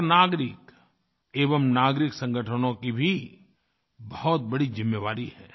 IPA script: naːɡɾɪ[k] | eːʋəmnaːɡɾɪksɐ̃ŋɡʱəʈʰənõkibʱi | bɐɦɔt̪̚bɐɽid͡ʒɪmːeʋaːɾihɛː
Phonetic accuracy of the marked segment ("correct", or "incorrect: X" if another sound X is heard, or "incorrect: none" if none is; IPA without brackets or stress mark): correct